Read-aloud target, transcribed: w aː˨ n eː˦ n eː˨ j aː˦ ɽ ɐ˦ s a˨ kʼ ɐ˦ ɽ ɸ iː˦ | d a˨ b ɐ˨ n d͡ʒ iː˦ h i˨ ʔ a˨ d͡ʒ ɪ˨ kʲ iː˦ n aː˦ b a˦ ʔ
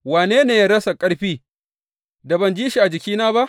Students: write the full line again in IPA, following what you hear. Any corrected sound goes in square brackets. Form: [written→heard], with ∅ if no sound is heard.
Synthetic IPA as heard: w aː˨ n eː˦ n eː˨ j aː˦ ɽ ɐ˦ s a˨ kʼ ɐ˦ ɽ ɸ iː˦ | d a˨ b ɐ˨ n d͡ʒ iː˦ [h→ʃ] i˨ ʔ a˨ d͡ʒ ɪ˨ kʲ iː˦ n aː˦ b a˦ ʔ